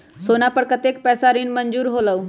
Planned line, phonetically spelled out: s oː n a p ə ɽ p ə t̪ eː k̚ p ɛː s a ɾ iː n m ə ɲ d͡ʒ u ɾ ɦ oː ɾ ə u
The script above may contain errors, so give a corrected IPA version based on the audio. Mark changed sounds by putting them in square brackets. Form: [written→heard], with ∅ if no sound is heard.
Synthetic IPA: s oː n a p ə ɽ [p→k] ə t̪ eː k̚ p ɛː s a ɾ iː n m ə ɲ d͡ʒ [u→uː] ɾ ɦ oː [ɾ→l] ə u